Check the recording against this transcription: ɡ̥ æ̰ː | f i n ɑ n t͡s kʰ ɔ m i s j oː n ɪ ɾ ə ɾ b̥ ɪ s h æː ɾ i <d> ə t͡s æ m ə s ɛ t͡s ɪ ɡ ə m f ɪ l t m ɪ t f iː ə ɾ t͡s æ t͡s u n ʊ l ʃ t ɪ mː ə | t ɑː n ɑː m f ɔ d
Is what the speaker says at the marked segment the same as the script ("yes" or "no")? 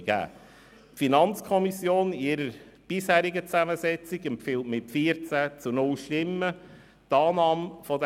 no